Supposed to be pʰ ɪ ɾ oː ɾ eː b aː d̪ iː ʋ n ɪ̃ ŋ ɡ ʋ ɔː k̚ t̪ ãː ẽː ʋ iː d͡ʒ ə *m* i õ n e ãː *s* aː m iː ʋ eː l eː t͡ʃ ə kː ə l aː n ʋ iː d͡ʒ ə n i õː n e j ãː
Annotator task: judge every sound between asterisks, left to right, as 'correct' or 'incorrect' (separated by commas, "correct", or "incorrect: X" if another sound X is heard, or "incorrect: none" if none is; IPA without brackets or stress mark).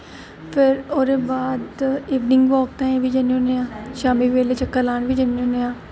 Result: incorrect: n, incorrect: ʃ